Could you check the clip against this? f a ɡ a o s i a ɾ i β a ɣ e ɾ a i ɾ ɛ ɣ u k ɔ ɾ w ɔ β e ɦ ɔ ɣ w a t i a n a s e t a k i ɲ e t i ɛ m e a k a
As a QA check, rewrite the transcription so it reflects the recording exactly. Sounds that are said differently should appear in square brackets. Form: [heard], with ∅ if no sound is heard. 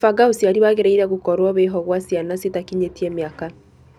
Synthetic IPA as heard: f a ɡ a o s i a ɾ i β a ɣ e ɾ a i ɾ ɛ ɣ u k ɔ ɾ w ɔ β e ɦ ɔ ɣ w a [s] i a n a s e t a k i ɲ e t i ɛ m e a k a